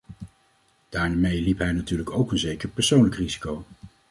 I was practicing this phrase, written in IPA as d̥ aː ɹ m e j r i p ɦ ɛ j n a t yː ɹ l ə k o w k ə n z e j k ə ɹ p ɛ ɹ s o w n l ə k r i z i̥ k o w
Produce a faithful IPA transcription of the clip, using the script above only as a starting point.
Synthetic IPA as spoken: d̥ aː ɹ m e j l i p ɦ ɛ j n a t yː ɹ l ə k o w k ə n z e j k ə ɹ p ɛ ɹ s o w n l ə k r i z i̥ k o w